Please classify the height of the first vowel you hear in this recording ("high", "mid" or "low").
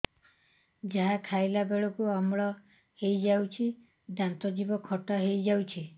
low